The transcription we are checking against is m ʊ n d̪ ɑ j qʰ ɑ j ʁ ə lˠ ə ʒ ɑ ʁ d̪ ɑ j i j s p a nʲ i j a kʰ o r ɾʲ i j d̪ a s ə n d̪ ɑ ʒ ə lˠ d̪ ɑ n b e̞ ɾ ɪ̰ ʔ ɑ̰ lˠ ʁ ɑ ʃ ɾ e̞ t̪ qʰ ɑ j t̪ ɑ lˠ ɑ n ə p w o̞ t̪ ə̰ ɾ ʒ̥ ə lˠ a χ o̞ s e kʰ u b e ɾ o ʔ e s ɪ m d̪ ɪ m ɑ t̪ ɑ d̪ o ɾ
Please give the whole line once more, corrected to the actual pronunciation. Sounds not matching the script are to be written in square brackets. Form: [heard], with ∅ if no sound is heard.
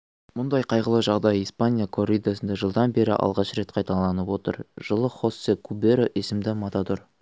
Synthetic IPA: m ʊ n d̪ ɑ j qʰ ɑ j ʁ ə lˠ ə ʒ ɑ ʁ d̪ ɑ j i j s p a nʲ i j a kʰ o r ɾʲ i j d̪ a s ə n d̪ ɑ ʒ ə lˠ d̪ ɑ n b e̞ ɾ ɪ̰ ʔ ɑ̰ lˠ ʁ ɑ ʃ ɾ e̞ t̪ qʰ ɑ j t̪ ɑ lˠ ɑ n ə p w o̞ t̪ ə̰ ɾ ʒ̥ ə lˠ [ə] χ o̞ s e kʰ u b e ɾ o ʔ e s ɪ m d̪ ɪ m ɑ t̪ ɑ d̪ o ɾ